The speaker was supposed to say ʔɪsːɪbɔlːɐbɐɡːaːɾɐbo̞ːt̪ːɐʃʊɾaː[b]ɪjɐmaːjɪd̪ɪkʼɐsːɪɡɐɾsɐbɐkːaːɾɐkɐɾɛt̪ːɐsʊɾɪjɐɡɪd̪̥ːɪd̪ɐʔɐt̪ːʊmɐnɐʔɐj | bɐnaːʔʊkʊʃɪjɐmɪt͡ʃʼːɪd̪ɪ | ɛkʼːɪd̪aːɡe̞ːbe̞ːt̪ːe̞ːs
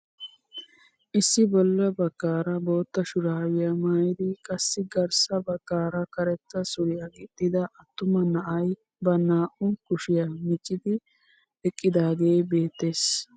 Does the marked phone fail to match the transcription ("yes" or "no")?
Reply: yes